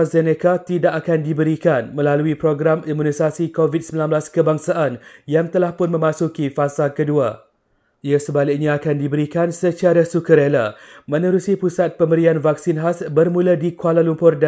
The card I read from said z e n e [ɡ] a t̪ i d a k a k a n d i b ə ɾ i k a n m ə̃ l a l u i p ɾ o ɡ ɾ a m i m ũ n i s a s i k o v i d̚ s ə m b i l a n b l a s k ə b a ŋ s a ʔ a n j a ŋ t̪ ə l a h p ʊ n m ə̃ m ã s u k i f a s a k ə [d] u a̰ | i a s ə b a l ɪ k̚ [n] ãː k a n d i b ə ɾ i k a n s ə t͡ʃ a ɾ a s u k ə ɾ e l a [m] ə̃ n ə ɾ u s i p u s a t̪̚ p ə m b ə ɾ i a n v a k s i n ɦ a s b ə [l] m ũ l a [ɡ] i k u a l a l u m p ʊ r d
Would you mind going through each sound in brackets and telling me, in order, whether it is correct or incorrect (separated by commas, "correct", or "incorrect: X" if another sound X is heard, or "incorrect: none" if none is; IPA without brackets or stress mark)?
incorrect: k, correct, incorrect: ɲ, correct, incorrect: r, incorrect: d